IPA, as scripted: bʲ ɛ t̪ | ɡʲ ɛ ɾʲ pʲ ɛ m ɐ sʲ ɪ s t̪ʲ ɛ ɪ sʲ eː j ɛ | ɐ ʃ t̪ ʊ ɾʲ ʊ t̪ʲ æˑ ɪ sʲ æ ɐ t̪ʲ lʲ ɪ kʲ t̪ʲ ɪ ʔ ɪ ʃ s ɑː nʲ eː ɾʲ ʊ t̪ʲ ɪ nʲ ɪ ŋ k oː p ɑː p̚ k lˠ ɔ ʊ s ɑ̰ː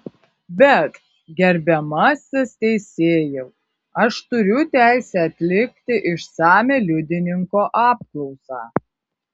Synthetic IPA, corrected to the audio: bʲ ɛ t̪ | ɡʲ ɛ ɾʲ bʲ ɛ m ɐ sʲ ɪ s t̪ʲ ɛ ɪ sʲ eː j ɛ | ɐ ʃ t̪ ʊ ɾʲ ʊ t̪ʲ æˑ ɪ sʲ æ ɐ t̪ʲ lʲ ɪ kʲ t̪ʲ ɪ ʔ ɪ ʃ s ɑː mʲ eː lʲ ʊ d̪ʲ ɪ nʲ ɪ ŋ k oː ʔ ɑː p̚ k lˠ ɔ ʊ s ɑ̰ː